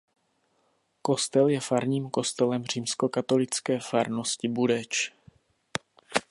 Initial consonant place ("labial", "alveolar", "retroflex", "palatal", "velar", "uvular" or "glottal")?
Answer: velar